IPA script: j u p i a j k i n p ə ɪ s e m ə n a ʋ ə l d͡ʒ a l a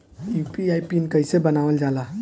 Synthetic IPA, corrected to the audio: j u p i a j p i n k ə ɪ s e b ə n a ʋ ə l d͡ʒ a l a